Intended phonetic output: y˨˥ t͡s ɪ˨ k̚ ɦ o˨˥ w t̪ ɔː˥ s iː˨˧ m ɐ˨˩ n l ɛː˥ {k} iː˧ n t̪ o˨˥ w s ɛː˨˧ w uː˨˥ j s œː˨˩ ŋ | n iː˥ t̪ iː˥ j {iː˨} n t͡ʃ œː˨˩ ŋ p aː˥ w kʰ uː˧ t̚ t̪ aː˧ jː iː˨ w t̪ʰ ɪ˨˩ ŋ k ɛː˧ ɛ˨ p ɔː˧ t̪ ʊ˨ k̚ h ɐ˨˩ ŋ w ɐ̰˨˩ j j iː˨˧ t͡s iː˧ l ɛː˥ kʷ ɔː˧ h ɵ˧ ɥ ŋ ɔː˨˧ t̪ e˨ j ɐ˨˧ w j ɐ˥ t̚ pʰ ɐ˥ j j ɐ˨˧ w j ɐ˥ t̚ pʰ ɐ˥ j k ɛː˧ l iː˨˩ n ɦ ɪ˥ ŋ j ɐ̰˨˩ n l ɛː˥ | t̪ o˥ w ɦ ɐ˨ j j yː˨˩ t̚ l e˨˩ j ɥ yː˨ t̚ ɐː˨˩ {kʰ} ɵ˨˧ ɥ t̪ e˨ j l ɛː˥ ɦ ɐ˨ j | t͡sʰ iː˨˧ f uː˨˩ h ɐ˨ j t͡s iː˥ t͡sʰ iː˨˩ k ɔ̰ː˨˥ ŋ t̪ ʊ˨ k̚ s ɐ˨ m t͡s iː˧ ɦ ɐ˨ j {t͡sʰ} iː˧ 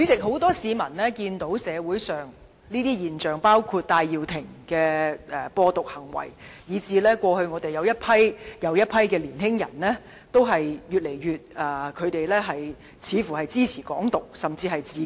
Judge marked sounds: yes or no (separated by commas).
yes, yes, yes, no